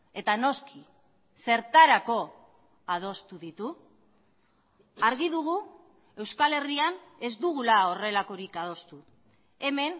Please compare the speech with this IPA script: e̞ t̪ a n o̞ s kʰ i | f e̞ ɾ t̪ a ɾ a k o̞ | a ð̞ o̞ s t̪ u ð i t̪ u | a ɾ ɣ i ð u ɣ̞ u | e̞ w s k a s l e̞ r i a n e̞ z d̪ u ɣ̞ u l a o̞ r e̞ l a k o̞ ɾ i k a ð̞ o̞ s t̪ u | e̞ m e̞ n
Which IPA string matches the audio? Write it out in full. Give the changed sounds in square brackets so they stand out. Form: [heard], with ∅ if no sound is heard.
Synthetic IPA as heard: e̞ t̪ a n o̞ s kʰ i | [s] e̞ ɾ t̪ a ɾ a k o̞ | a ð̞ o̞ s t̪ u ð i t̪ u | a ɾ ɣ i ð u ɣ̞ u | e̞ w s k a [∅] l e̞ r i a n e̞ z d̪ u ɣ̞ u l a o̞ r e̞ l a k o̞ ɾ i k a ð̞ o̞ s t̪ u | e̞ m e̞ n